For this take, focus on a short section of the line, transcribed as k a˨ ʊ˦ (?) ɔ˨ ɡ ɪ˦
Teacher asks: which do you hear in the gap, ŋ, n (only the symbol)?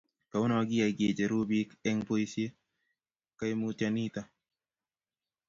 n